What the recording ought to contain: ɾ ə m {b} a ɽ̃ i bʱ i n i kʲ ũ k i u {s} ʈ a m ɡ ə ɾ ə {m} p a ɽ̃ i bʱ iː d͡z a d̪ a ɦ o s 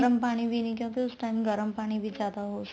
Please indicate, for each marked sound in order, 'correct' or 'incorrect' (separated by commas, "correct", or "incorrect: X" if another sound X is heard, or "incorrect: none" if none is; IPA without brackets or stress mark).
incorrect: p, correct, correct